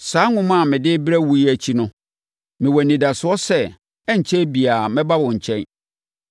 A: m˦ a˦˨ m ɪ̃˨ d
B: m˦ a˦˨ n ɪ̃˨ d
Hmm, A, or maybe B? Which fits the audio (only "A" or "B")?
A